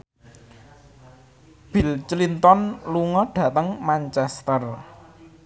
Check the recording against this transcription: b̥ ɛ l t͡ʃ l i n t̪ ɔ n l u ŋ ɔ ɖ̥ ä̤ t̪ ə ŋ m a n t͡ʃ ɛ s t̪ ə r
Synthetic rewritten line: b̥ i l t͡ʃ l i n t̪ ɔ n l u ŋ ɔ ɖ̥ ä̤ t̪ ə ŋ m a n t͡ʃ ɛ s t̪ ə r